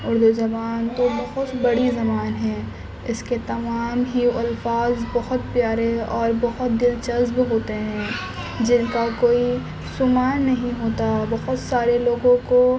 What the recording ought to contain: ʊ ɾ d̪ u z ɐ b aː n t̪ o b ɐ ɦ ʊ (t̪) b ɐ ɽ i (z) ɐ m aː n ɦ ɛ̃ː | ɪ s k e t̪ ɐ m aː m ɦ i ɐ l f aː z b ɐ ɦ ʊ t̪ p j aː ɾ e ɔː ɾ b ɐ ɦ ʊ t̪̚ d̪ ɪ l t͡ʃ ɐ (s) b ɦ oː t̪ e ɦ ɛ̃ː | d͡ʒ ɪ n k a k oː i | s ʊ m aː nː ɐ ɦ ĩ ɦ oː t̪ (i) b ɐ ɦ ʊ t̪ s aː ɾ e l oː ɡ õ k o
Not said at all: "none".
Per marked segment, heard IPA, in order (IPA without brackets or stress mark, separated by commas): t̪, z, z, a